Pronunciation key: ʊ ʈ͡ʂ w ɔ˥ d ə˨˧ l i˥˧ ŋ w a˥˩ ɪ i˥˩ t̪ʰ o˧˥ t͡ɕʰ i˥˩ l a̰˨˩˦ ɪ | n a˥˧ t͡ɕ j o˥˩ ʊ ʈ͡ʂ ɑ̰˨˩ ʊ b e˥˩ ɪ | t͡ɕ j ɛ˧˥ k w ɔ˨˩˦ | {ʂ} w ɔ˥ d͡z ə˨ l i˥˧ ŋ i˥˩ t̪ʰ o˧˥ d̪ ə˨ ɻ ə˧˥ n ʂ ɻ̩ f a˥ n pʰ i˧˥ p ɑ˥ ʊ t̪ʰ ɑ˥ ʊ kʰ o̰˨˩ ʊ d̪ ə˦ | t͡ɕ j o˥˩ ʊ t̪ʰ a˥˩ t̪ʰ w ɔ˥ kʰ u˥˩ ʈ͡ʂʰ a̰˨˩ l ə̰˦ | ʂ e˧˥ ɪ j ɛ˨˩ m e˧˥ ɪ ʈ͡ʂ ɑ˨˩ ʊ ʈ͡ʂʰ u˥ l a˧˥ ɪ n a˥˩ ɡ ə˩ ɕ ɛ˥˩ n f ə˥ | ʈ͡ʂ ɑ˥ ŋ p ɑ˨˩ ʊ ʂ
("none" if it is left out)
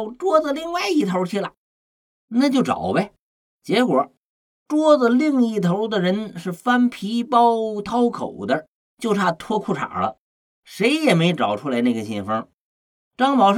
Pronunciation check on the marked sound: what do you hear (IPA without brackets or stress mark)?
ʈ͡ʂ